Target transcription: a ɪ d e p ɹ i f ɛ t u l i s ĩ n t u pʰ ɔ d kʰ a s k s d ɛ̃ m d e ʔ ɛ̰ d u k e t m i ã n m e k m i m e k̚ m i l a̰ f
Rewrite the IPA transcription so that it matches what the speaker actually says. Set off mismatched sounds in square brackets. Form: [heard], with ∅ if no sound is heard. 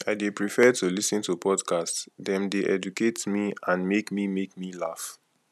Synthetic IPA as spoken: a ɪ d e p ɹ i f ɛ t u l i s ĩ n t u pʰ ɔ d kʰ a s [t] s d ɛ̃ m d e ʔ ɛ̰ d u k e t m i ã n m e k m i m e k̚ m i l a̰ f